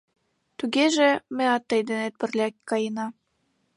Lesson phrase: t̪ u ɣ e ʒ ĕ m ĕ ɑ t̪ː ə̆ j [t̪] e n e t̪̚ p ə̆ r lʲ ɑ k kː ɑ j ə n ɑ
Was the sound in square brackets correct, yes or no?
no